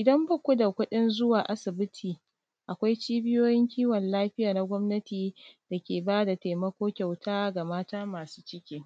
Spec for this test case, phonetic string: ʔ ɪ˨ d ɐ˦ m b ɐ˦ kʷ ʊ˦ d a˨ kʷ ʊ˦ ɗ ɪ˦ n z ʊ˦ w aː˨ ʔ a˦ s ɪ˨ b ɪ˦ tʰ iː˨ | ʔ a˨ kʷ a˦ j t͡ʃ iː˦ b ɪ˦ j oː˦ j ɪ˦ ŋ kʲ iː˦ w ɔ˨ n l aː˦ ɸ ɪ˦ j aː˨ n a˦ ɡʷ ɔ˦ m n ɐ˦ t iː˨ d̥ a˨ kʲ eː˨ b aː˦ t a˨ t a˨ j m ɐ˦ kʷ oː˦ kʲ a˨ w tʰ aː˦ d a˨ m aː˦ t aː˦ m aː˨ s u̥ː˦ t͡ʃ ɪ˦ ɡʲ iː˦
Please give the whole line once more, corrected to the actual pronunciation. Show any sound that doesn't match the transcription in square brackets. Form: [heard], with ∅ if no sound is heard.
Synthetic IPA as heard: ʔ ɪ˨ d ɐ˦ m b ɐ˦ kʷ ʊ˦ d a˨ kʷ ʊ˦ ɗ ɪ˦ n z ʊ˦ w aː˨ ʔ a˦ s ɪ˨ b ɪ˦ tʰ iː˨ | ʔ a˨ kʷ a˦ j t͡ʃ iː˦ b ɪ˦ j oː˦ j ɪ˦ ŋ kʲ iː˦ w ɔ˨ n l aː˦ ɸ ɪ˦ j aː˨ n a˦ ɡʷ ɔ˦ m n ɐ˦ t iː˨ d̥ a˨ kʲ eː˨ b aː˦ [d] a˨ t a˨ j m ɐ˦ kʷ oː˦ kʲ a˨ w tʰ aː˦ [ɡ] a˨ m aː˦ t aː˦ m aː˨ s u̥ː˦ t͡ʃ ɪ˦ [kʲ] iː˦